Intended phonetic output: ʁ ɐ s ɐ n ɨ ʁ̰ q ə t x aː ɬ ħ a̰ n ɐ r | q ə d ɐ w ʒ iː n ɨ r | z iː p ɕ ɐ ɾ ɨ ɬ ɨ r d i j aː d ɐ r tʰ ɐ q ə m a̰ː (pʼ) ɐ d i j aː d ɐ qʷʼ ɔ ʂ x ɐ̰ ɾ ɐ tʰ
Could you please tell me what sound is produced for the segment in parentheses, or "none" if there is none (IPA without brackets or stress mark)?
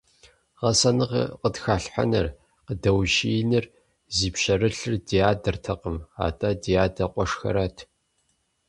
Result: tʼ